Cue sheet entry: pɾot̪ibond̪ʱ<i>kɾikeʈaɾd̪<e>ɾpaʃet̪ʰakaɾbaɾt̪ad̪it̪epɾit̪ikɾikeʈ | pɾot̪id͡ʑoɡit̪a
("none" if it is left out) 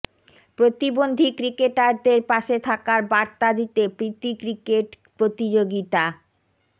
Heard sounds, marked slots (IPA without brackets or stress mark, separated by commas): i, e